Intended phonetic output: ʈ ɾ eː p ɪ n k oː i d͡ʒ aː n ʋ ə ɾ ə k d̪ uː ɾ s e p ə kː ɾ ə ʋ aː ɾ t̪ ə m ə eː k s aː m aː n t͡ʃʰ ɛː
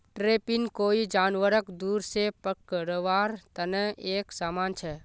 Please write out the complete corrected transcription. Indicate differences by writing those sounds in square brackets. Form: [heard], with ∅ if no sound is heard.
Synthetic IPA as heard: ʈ ɾ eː p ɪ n k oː i d͡ʒ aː n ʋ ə ɾ ə k d̪ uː ɾ s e p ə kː ɾ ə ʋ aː ɾ t̪ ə [n] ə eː k s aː m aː n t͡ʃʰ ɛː

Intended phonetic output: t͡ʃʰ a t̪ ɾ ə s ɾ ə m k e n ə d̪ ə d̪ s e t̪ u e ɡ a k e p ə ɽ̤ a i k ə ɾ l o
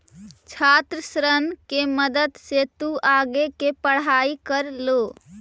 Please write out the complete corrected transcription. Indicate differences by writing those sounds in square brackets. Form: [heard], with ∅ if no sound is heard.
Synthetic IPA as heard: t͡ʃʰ a t̪ ɾ ə s ɾ ə [n] k e [m] ə d̪ ə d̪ s e t̪ u [a] ɡ [e] k e p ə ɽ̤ a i k ə ɾ l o

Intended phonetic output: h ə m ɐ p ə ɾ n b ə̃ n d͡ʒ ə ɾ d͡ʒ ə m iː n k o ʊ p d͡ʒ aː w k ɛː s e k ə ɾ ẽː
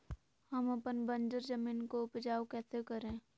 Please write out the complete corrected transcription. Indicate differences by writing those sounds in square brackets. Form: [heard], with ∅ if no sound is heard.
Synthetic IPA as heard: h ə m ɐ p ə [∅] n b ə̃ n d͡ʒ ə ɾ d͡ʒ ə m iː n k o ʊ p d͡ʒ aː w k ɛː s e k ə ɾ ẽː

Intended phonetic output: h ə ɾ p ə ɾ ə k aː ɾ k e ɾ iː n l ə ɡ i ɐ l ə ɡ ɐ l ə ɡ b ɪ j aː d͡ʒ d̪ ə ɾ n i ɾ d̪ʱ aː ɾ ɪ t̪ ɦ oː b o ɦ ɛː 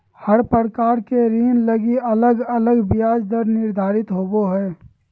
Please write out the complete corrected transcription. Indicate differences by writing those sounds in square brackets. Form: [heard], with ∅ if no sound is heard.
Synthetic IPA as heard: h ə ɾ p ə ɾ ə k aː ɾ k e ɾ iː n l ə ɡ i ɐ l ə ɡ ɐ l ə ɡ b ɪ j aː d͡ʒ d̪ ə ɾ n [ɪ] ɾ d̪ʱ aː ɾ ɪ t̪ ɦ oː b o ɦ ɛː

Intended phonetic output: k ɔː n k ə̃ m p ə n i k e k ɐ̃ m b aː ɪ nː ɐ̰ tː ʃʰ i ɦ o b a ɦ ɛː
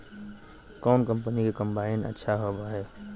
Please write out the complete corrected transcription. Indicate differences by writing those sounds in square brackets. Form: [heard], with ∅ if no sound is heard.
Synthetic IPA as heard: k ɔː n k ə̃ m p ə n i k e k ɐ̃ m b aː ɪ [n] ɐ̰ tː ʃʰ [a] ɦ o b a ɦ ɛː

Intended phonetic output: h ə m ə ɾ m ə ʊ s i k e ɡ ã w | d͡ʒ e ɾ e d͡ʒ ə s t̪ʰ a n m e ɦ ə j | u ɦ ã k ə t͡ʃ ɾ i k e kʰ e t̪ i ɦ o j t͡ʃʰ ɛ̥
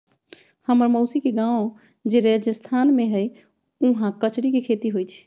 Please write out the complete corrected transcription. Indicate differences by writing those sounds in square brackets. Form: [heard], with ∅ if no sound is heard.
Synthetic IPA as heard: h ə m ə ɾ m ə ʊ s i k e ɡ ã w | d͡ʒ e ɾ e d͡ʒ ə s t̪ʰ a n m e ɦ ə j | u ɦ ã k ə t͡ʃ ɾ i k e kʰ e t̪ i ɦ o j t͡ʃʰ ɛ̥

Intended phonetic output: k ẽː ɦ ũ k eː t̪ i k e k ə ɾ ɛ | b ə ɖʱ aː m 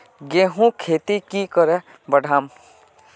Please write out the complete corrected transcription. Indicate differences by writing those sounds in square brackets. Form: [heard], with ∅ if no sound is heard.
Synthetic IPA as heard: [ɡ] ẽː ɦ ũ [kʰ] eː t̪ i k [i] k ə ɾ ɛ | b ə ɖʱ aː m

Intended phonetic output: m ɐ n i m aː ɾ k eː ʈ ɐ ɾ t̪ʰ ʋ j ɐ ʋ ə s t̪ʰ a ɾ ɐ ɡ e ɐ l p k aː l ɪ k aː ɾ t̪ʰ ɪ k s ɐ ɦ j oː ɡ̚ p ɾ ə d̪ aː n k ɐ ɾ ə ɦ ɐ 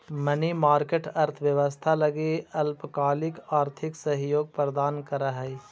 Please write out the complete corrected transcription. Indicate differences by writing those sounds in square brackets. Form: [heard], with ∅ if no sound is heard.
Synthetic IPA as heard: m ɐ n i m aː ɾ k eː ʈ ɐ ɾ t̪ʰ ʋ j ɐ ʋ ə s t̪ʰ a [l] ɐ ɡ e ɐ l p k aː l ɪ k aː ɾ t̪ʰ ɪ k s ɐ ɦ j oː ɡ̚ p ɾ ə d̪ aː n k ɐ ɾ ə ɦ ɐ

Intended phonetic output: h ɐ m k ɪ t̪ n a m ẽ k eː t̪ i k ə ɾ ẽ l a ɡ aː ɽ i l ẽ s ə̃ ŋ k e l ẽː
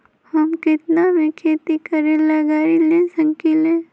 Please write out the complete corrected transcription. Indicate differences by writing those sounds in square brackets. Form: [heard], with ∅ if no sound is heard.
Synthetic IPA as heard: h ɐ m k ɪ t̪ n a m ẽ [kʰ] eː t̪ i k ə ɾ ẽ l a ɡ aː [ɾ] i l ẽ s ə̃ ŋ k [i] l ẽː

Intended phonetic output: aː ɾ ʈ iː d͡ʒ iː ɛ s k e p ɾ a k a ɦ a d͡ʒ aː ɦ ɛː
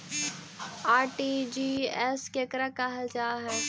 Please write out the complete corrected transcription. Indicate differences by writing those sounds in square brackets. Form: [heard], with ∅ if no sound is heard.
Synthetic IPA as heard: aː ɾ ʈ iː d͡ʒ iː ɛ s k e [k] ɾ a k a ɦ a d͡ʒ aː ɦ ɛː

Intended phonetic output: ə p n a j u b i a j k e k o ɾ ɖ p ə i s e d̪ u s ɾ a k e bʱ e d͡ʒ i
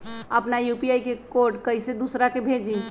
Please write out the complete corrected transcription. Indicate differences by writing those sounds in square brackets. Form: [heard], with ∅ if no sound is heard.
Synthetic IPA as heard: ə p n a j u [p] i a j k e k o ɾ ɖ [k] ə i s e d̪ u s ɾ a k e bʱ e d͡ʒ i

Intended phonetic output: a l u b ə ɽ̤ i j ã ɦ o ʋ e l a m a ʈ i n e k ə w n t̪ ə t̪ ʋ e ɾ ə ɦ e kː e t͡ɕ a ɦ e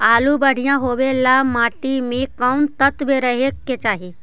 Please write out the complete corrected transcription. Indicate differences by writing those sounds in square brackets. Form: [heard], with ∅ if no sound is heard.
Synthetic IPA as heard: a l u b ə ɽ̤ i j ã ɦ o ʋ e l a m a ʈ i [m] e k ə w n t̪ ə t̪ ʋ e ɾ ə ɦ e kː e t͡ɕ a ɦ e

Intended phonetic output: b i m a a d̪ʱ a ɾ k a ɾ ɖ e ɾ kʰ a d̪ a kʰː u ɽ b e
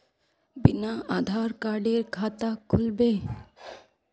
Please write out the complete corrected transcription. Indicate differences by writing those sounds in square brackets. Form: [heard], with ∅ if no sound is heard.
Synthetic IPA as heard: b i [n] a a d̪ʱ a ɾ k a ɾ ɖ e ɾ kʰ a [t̪] a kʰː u [l] b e

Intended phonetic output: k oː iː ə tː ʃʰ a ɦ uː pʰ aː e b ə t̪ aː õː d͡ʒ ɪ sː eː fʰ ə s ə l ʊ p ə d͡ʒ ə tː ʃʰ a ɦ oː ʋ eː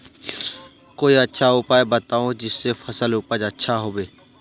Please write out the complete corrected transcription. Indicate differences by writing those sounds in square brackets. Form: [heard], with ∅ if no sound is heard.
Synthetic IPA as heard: k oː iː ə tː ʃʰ a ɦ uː [p] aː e b ə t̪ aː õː d͡ʒ ɪ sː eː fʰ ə s ə l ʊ p ə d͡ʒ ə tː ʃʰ a ɦ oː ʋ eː

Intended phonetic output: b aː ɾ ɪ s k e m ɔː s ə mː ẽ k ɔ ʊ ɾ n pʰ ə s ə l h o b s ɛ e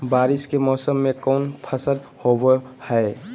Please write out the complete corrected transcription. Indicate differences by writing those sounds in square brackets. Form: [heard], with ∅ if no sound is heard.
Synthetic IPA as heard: b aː ɾ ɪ s k e m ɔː s ə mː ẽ k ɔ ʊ [∅] n pʰ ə s ə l h o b [h] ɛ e

